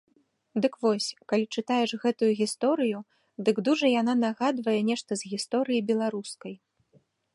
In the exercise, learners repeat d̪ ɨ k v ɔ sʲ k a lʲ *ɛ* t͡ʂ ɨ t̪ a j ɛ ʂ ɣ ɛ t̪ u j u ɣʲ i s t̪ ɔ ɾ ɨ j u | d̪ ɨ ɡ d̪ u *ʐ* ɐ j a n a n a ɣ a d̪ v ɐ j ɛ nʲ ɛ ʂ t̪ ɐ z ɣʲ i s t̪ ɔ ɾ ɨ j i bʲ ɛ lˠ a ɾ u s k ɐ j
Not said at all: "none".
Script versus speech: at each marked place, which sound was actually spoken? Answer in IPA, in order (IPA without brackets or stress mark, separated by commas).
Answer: i, ʐ